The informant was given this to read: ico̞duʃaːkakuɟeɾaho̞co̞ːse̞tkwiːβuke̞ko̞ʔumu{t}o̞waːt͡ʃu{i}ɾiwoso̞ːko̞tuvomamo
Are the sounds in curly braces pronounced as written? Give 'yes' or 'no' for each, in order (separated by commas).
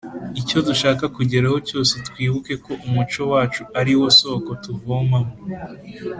no, no